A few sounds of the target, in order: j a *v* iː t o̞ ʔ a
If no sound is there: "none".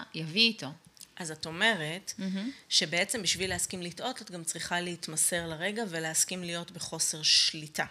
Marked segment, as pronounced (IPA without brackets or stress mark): v